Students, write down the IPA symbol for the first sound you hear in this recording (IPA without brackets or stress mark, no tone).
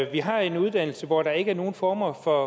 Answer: ʋ